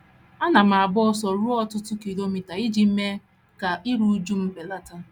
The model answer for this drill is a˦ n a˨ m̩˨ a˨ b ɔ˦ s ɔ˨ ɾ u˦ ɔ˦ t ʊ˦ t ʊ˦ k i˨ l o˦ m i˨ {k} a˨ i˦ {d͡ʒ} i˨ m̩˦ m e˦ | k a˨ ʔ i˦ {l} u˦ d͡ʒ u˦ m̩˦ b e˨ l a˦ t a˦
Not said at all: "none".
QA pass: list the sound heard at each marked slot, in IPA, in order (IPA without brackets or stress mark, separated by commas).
t, d͡ʒ, ɾ